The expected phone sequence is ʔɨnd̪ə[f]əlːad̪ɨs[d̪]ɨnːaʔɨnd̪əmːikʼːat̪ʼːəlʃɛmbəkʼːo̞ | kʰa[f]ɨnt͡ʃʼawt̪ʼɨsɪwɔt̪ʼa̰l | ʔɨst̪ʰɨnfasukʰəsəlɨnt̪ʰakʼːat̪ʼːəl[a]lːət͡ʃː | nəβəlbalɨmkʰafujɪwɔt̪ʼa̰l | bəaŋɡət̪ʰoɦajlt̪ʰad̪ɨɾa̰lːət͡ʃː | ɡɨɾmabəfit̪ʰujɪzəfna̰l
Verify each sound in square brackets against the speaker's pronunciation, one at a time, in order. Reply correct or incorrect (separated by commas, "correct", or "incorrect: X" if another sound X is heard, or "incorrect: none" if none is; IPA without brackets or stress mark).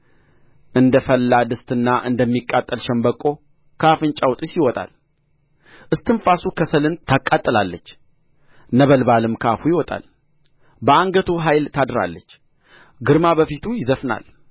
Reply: correct, incorrect: t̪, correct, correct